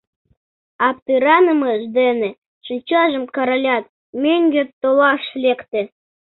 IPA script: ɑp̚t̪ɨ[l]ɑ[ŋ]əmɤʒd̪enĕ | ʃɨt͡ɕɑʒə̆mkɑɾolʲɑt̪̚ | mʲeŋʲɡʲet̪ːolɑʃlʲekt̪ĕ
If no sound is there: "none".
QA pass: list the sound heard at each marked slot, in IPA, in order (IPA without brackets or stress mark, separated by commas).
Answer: ɾ, n